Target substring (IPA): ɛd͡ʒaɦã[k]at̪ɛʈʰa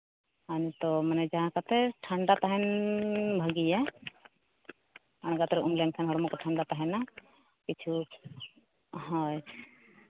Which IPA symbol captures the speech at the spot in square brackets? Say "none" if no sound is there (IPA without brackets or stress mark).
k